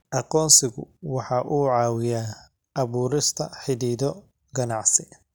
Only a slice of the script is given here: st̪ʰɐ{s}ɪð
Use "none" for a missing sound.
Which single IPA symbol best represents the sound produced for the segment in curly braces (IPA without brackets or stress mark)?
ħ